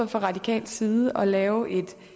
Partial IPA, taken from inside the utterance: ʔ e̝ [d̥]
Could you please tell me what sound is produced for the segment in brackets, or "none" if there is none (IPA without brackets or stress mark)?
d̥